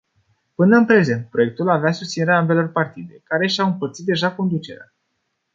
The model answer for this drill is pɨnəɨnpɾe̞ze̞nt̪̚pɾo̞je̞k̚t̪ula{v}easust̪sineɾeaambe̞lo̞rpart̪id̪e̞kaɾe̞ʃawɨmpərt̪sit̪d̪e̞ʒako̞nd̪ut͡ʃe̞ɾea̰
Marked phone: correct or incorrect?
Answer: correct